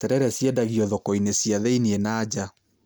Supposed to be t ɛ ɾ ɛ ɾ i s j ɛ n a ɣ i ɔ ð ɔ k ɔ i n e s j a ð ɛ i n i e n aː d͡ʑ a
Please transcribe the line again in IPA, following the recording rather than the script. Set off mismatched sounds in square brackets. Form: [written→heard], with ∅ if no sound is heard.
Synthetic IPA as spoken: t ɛ ɾ ɛ ɾ [i→ɛ] s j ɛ [n→d] a ɣ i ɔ ð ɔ k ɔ i n e s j a ð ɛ i n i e n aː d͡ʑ a